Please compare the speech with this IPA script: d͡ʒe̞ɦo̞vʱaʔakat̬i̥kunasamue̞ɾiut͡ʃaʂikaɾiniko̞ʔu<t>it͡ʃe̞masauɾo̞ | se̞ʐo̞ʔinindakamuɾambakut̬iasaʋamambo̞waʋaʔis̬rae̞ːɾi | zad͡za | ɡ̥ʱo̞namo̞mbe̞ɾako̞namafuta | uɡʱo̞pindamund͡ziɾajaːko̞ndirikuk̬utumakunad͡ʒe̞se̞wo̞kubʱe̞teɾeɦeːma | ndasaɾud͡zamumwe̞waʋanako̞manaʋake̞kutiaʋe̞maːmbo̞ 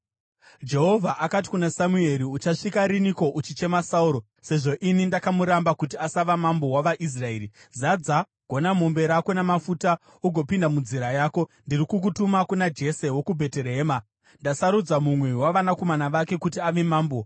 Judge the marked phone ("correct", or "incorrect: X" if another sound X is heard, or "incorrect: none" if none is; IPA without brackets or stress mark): incorrect: t͡ʃ